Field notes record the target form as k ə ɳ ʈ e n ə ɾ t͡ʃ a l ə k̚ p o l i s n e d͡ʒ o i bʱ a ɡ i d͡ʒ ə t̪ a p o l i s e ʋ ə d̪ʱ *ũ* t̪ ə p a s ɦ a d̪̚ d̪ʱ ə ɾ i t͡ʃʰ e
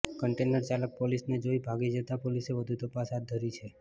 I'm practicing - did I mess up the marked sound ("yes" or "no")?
yes